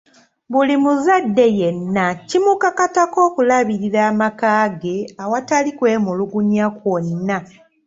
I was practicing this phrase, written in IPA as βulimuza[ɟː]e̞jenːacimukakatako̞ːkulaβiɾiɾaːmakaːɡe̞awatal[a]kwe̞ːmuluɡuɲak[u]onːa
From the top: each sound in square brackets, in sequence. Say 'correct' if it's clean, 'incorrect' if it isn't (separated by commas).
incorrect, incorrect, incorrect